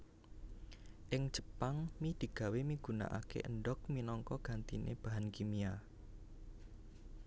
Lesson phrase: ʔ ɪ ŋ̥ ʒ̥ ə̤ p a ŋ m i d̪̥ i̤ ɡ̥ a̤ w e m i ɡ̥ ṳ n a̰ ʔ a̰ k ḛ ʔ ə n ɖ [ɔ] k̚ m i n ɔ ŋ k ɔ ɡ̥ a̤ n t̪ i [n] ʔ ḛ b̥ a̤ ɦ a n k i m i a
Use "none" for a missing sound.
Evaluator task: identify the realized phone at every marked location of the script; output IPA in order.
ɔ, n

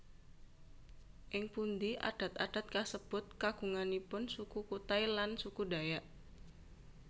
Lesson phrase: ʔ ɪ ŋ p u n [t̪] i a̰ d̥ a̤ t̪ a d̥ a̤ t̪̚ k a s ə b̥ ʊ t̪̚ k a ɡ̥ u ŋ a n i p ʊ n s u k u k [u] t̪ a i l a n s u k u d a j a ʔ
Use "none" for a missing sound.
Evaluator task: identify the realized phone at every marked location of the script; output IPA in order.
d̪, u

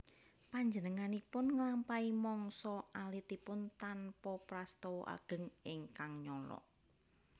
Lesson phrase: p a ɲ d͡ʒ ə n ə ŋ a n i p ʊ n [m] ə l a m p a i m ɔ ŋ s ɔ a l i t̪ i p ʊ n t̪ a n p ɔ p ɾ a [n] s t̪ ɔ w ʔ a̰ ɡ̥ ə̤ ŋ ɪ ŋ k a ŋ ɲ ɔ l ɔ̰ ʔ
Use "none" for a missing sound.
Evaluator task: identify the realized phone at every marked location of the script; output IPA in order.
ŋ, none

